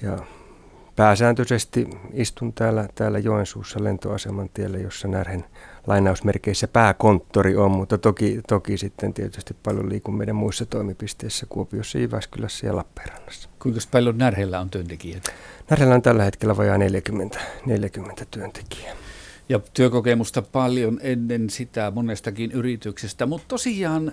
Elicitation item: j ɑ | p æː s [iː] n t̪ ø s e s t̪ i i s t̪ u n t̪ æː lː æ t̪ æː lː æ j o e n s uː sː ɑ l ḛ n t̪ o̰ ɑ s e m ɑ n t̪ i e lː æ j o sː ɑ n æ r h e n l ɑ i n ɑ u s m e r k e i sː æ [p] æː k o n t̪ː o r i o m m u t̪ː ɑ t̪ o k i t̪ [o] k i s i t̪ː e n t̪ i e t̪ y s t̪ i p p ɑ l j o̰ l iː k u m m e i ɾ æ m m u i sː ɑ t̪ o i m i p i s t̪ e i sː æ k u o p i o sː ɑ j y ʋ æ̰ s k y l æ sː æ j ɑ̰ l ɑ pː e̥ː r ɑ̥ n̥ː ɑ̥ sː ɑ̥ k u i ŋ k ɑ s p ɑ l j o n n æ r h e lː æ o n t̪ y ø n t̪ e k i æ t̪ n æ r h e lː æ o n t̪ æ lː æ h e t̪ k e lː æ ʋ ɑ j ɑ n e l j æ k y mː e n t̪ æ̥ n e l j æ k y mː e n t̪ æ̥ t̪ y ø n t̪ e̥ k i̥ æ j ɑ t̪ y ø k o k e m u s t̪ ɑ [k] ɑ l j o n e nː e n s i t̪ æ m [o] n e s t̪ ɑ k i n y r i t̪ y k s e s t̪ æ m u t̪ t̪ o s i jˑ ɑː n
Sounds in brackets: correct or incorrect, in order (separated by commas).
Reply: incorrect, correct, correct, incorrect, correct